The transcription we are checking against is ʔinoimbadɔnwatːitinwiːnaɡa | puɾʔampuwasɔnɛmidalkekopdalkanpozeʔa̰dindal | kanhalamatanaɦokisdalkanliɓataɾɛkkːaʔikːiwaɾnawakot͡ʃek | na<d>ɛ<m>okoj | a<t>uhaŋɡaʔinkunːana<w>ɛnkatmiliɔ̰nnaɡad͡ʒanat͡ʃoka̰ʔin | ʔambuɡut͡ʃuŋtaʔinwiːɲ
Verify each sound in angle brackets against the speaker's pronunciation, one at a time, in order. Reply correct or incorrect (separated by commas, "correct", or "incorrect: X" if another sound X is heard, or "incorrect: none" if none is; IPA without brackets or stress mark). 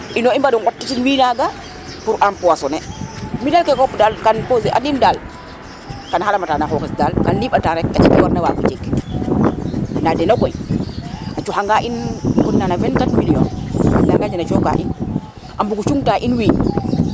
correct, incorrect: n, incorrect: t͡ʃ, incorrect: v